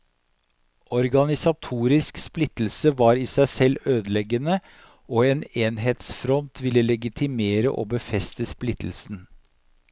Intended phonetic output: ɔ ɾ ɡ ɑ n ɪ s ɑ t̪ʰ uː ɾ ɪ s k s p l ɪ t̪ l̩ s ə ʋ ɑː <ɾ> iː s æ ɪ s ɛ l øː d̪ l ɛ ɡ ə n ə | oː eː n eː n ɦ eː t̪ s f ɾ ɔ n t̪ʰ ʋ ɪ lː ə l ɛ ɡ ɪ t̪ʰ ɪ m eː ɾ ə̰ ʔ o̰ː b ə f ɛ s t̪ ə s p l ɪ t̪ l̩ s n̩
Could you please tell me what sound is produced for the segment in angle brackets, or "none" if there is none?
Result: ɾ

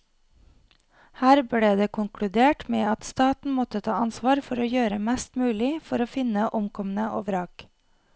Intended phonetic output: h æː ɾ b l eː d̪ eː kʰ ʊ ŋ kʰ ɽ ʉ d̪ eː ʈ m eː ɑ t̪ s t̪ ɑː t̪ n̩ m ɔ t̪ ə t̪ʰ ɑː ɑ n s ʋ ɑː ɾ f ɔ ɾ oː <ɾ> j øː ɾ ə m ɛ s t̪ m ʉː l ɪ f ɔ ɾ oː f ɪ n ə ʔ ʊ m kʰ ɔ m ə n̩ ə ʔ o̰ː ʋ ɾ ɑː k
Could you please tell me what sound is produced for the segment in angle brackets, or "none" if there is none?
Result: none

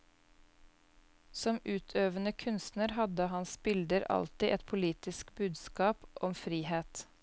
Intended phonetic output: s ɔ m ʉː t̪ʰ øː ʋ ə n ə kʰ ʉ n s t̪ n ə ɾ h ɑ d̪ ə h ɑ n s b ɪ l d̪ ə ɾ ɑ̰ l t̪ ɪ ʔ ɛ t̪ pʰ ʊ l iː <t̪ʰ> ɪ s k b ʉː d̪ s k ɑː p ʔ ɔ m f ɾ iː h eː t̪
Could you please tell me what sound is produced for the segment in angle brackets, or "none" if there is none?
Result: t̪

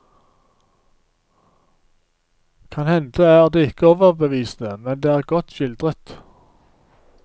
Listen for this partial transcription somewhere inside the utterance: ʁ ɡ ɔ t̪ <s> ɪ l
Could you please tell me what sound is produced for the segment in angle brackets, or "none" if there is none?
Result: ʃ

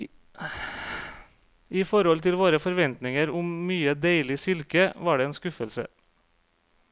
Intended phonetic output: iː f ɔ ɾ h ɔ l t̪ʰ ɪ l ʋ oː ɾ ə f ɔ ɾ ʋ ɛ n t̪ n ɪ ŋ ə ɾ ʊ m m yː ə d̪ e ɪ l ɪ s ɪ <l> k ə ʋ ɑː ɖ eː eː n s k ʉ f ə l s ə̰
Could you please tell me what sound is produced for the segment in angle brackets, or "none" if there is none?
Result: l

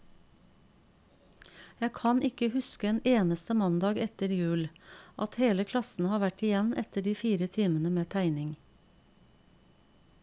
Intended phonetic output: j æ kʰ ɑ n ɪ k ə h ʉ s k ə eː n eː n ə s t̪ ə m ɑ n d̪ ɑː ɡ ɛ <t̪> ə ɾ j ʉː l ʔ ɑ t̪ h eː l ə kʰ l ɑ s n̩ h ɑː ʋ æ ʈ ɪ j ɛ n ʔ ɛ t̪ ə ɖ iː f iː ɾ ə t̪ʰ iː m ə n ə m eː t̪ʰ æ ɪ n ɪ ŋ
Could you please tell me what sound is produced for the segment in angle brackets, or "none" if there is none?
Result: t̪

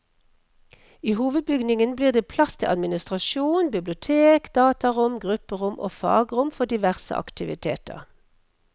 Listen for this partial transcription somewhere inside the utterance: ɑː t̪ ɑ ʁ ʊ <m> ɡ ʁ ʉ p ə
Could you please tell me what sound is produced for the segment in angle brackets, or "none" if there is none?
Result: m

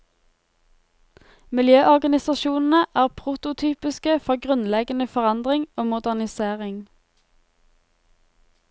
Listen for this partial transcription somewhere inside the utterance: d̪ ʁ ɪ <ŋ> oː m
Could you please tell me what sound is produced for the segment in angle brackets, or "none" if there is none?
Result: ŋ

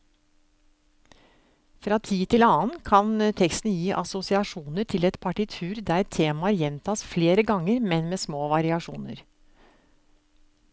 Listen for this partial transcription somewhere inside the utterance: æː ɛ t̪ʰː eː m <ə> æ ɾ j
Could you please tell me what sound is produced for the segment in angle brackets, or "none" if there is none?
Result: ɑ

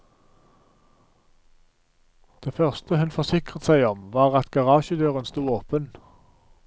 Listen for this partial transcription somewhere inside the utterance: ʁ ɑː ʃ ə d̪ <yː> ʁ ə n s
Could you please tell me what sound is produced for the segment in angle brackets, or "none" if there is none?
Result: øː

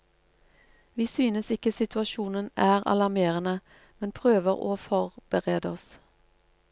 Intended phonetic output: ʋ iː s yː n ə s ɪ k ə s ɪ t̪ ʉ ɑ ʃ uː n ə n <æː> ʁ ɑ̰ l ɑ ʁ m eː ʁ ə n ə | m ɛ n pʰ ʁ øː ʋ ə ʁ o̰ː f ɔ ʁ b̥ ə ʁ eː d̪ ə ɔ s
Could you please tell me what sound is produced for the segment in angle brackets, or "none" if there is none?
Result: æː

